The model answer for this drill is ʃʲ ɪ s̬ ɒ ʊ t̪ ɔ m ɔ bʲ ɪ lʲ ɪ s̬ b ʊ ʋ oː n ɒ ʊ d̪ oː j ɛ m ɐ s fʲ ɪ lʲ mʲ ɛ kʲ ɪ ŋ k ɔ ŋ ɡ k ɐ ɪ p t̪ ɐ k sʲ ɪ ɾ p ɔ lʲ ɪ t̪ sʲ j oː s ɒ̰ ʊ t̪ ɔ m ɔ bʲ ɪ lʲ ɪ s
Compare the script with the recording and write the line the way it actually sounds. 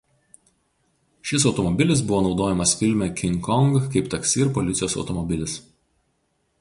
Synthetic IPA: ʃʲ ɪ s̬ ɒ ʊ t̪ ɔ m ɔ bʲ ɪ lʲ ɪ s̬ b ʊ ʋ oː n ɒ ʊ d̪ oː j ɛ m ɐ s fʲ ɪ lʲ mʲ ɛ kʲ ɪ ŋ k ɔ ŋ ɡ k ɐ ɪ p t̪ ɐ k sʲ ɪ ɾ p ɔ lʲ ɪ t̪ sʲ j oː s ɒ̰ ʊ t̪ ɔ m ɔ bʲ ɪ lʲ ɪ s